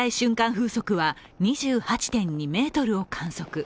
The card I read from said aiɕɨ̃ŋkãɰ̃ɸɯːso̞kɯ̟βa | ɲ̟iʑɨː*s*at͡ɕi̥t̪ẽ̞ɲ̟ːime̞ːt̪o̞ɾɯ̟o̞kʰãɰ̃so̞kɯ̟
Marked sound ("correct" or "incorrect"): incorrect